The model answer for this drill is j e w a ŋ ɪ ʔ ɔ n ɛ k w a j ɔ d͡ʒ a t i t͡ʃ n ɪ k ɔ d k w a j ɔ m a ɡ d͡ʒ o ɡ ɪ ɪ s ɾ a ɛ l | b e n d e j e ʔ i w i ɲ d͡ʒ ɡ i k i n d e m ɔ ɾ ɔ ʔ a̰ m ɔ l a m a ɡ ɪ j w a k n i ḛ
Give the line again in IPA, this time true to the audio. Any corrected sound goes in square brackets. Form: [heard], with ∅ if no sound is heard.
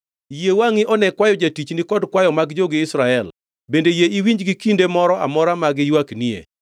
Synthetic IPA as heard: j e w a ŋ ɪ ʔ ɔ n ɛ k w a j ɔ d͡ʒ a t i t͡ʃ n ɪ k ɔ d k w a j ɔ m a ɡ d͡ʒ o ɡ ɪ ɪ s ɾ a ɛ l | b e n d e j e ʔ i w i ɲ d͡ʒ ɡ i k i n d e m ɔ ɾ ɔ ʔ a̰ m ɔ [ɾ] a m a ɡ ɪ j w a k n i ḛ

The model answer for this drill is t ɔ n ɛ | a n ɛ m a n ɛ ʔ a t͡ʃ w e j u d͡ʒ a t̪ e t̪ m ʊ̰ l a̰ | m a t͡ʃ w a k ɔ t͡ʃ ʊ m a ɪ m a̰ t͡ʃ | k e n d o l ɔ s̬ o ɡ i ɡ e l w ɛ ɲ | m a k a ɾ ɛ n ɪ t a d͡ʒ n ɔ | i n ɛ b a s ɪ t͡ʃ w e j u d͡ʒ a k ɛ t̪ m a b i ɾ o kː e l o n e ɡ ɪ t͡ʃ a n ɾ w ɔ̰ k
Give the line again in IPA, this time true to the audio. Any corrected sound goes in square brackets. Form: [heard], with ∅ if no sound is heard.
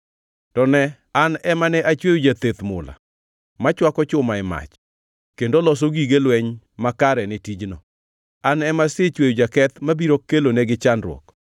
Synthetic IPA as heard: t ɔ n ɛ | a n ɛ m a n ɛ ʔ a t͡ʃ w e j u d͡ʒ a t̪ e t̪ m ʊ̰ l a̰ | m a t͡ʃ w a k ɔ t͡ʃ ʊ m a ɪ m a̰ t͡ʃ | k e n d o l ɔ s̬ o ɡ i ɡ e l w ɛ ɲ | m a k a ɾ ɛ n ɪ t [i] d͡ʒ n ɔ | [a] n ɛ [m] a s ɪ t͡ʃ w e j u d͡ʒ a k ɛ t̪ m a b i ɾ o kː e l o n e ɡ ɪ t͡ʃ a n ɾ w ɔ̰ k

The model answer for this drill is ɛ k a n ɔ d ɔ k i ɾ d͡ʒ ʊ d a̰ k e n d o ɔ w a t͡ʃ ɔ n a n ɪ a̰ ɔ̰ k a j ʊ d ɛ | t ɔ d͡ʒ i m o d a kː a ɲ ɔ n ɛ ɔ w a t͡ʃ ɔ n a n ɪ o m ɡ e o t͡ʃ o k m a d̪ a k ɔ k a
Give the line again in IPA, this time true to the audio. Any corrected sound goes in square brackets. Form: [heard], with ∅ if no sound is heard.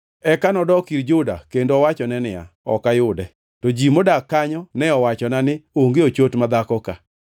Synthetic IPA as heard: ɛ k a n ɔ d ɔ k i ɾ d͡ʒ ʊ d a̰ k e n d o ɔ w a t͡ʃ ɔ n [ɛ] n ɪ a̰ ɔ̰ k a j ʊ d ɛ | t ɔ d͡ʒ i m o d a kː a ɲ ɔ n ɛ ɔ w a t͡ʃ ɔ n a n ɪ o [ŋ] ɡ e o t͡ʃ o [t] m a d̪ a k ɔ k a

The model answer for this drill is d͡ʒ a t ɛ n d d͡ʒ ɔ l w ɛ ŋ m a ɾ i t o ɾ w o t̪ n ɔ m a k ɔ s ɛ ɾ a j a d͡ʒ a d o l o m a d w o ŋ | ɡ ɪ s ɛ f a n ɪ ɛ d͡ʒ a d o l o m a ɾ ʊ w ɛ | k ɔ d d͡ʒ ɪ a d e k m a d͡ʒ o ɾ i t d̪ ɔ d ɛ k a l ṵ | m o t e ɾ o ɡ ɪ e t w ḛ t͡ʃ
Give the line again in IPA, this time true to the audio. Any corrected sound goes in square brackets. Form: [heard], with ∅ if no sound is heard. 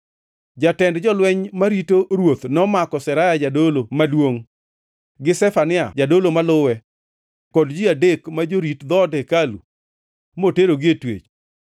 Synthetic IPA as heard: d͡ʒ a t ɛ n d d͡ʒ ɔ l w ɛ [ɲ] m a ɾ i t o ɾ w o t̪ n ɔ m a k ɔ s ɛ ɾ a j a d͡ʒ a d o l o m a d w o ŋ | ɡ ɪ s ɛ f a n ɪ [a] d͡ʒ a d o l o m a [l] ʊ w ɛ | k ɔ d d͡ʒ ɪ a d e k m a d͡ʒ o ɾ i t d̪ ɔ d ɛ k a l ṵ | m o t e ɾ o ɡ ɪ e t w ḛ t͡ʃ

